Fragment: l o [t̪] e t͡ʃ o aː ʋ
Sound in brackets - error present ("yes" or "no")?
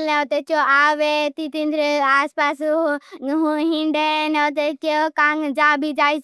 no